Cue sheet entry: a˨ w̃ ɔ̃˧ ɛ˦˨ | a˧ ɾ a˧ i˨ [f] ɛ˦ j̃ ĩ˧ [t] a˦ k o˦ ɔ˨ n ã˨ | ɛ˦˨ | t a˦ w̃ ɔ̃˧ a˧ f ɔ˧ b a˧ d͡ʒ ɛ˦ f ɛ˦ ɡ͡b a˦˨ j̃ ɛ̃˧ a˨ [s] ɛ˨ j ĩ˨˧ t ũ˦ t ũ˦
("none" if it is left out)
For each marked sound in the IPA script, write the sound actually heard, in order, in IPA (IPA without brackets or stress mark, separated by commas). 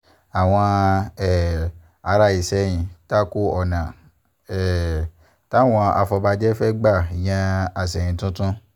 s, t, s